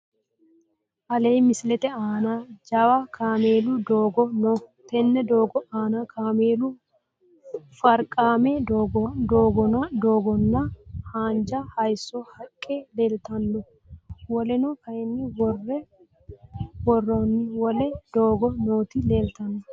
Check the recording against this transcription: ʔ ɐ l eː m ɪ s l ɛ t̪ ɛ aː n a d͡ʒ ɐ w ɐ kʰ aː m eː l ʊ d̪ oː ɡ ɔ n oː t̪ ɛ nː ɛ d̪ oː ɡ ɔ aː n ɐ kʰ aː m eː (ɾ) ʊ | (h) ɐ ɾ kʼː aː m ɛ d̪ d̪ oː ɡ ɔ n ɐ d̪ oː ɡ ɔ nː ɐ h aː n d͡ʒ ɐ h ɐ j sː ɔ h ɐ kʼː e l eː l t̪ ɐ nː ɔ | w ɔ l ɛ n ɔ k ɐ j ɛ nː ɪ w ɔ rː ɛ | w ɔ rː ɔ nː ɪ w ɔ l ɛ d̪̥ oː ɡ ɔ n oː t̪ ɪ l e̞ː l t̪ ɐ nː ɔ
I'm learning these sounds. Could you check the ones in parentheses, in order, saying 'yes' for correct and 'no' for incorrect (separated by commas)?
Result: no, no